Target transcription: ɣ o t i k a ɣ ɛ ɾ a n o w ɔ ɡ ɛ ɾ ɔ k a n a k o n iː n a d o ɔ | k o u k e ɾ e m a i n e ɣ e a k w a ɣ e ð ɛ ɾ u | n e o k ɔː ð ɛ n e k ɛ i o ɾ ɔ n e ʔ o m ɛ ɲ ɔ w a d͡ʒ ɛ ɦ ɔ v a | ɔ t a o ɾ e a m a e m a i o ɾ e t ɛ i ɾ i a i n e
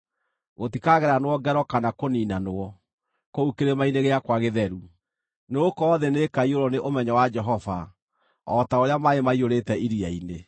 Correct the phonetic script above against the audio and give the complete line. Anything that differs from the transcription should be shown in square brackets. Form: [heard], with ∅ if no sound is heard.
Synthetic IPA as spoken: ɣ o t i k a ɣ ɛ ɾ a n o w ɔ ɡ ɛ ɾ ɔ k a n a k o n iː n a [n] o ɔ | k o u k e ɾ e m a i n e ɣ e a k w a ɣ e ð ɛ ɾ u | n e o k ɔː ð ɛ n e k [a] i o ɾ ɔ n e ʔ o m ɛ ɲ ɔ w a d͡ʒ ɛ ɦ ɔ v a | ɔ t a o ɾ e a m a e m a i o ɾ e t ɛ i ɾ i a i n e